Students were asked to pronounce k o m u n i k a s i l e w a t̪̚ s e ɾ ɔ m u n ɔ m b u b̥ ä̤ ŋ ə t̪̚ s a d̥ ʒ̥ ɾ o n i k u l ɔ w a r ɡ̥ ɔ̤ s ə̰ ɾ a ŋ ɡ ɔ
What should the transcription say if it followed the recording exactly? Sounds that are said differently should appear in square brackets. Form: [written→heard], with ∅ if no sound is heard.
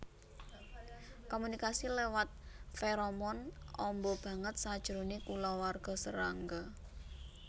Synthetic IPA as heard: k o m u n i k a s i l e w a t̪̚ [s→f] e ɾ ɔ m [u→ɔ] n ɔ m b [u→ɔ] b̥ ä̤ ŋ ə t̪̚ s a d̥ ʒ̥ ɾ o n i k u l ɔ w a r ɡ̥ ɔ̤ s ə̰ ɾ a ŋ ɡ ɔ